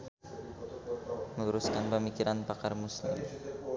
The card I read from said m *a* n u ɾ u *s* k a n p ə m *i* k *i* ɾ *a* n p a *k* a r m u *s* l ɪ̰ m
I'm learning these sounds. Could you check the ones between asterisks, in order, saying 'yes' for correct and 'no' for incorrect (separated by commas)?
no, yes, yes, yes, yes, yes, yes